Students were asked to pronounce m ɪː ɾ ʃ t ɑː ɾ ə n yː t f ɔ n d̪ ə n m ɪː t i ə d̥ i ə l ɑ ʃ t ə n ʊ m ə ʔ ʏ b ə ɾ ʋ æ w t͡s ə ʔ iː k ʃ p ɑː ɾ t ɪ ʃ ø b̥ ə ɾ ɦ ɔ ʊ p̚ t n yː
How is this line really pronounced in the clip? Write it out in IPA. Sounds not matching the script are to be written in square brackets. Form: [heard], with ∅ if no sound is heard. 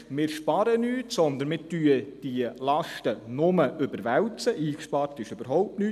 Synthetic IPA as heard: m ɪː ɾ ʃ [p] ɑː ɾ ə n yː t [s] ɔ n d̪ ə n m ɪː t [y] ə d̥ i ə l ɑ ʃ t ə n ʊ m ə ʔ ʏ b ə ɾ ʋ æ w t͡s ə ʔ iː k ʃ p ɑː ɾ t ɪ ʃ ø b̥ ə ɾ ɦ ɔ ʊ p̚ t n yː